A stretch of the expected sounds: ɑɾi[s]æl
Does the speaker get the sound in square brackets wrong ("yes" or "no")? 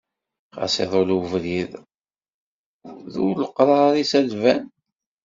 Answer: no